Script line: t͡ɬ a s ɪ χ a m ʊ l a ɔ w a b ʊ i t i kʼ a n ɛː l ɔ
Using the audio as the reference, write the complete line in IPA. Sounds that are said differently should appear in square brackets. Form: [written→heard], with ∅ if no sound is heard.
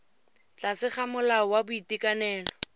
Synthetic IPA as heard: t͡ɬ a s ɪ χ a m ʊ l a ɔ w a b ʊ i t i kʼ a n ɛː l ɔ